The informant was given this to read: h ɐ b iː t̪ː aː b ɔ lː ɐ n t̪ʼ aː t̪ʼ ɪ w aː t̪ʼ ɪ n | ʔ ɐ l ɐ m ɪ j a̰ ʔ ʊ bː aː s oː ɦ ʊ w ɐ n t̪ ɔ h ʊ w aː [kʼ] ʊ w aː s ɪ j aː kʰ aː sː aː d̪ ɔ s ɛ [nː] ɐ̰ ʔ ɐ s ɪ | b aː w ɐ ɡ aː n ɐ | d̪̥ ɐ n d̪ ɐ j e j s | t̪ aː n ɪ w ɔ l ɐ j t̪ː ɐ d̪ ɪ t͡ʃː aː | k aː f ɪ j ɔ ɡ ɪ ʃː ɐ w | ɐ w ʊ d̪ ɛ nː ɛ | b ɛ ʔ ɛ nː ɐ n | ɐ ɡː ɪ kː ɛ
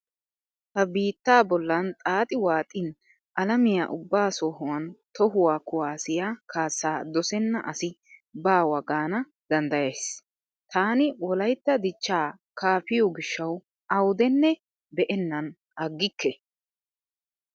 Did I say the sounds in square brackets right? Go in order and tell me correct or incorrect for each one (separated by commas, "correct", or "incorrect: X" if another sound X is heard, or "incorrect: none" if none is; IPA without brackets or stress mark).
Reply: incorrect: k, correct